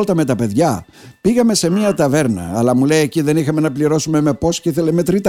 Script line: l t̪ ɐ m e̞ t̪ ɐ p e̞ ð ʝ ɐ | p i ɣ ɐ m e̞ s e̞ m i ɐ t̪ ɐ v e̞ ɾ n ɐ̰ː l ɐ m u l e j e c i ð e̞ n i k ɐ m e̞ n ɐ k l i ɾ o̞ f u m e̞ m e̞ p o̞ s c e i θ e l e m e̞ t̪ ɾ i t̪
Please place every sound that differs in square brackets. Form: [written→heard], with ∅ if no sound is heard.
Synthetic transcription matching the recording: l t̪ ɐ m e̞ t̪ ɐ p e̞ ð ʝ ɐ | p i ɣ ɐ m e̞ s e̞ m i ɐ t̪ ɐ v e̞ ɾ n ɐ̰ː l ɐ m u l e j e c i ð e̞ n i [k→x] ɐ m e̞ n ɐ [k→p] l i ɾ o̞ [f→s] u m e̞ m e̞ p o̞ s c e i θ e l e m e̞ t̪ ɾ i t̪